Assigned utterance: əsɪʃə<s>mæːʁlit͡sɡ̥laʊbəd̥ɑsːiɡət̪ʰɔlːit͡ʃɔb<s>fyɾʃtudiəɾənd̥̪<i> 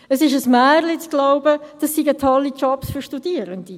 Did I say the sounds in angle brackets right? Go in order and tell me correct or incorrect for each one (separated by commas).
correct, correct, correct